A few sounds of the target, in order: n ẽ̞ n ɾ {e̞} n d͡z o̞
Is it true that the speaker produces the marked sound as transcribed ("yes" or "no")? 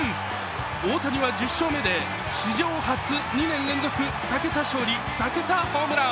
no